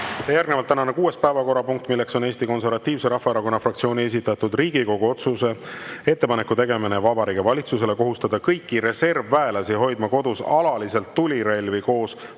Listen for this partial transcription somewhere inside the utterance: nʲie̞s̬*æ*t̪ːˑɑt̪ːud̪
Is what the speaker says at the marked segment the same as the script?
no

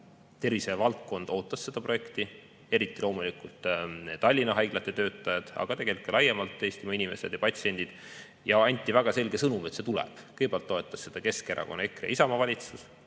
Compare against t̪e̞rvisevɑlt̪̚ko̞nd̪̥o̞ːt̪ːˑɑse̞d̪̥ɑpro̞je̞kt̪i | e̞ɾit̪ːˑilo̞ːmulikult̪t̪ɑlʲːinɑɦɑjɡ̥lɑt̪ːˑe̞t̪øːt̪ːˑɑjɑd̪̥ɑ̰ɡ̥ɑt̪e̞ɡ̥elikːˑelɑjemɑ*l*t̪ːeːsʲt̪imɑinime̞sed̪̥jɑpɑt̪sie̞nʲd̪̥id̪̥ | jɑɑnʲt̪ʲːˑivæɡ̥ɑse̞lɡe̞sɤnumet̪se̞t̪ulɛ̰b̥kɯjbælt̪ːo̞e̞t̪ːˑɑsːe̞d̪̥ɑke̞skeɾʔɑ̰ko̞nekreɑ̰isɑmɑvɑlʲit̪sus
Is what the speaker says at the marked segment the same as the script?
yes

